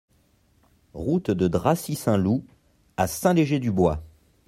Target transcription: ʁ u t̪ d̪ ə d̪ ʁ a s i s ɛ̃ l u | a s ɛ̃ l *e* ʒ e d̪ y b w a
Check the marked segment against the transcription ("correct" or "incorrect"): correct